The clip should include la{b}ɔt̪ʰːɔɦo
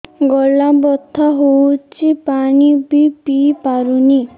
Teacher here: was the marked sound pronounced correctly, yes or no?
yes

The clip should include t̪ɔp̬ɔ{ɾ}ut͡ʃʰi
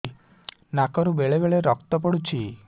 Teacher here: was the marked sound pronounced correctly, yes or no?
no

